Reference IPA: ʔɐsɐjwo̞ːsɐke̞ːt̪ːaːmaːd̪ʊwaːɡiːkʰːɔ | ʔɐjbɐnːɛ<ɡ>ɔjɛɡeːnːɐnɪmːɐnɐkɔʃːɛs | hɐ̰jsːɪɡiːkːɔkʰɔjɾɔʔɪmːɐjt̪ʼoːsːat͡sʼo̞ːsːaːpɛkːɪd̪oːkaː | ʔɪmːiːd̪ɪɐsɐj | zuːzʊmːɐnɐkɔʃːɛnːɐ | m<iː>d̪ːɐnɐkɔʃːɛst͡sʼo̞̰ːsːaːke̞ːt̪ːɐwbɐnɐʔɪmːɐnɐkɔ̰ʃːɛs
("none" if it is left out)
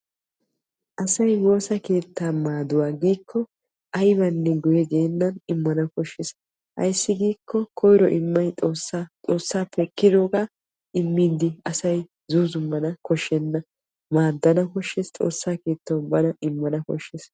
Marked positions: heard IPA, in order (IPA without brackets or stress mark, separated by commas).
ɡ, aː